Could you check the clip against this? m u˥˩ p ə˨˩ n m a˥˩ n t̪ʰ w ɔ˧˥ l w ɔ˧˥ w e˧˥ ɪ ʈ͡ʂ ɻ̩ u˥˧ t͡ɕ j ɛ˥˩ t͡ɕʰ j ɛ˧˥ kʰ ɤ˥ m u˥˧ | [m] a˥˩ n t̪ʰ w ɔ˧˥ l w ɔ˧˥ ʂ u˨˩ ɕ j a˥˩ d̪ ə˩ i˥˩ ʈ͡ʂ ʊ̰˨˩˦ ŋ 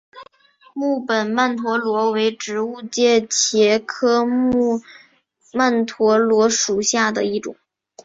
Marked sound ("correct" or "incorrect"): correct